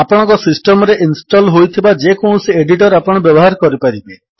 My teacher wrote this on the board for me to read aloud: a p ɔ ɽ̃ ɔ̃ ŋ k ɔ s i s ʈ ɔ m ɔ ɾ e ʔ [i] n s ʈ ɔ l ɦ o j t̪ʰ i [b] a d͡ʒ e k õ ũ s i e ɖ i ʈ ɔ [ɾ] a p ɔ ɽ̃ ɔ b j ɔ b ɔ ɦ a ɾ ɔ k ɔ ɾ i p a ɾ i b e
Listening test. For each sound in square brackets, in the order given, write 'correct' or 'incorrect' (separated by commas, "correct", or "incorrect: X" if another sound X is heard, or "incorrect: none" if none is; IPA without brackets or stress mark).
correct, correct, correct